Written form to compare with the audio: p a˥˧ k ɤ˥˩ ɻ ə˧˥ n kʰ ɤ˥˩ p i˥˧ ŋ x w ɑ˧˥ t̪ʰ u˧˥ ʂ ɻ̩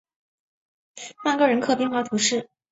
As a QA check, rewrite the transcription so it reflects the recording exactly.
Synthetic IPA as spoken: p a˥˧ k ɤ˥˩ ɻ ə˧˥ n kʰ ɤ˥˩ p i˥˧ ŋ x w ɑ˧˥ t̪ʰ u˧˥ ʂ ɻ̩

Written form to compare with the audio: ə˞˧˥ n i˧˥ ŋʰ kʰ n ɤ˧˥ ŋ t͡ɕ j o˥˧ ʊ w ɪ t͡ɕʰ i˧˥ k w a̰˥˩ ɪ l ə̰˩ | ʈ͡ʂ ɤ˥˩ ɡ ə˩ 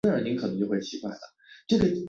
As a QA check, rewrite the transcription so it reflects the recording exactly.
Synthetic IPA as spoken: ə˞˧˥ n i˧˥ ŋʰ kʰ n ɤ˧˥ ŋ t͡ɕ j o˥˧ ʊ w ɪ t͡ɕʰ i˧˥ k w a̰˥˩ ɪ l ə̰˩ | ʈ͡ʂ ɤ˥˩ ɡ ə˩

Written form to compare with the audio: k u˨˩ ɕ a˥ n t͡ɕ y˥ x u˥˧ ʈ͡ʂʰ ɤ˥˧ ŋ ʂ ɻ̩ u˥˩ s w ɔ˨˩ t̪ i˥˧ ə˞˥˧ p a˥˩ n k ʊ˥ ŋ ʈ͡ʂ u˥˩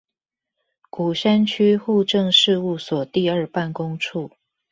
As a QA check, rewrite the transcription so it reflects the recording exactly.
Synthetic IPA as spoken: k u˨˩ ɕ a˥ n t͡ɕʰ y˥ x u˥˧ ʈ͡ʂ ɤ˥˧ ŋ ʂ ɻ̩ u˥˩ s w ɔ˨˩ t̪ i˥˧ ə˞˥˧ p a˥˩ n k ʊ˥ ŋ ʈ͡ʂʰ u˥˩

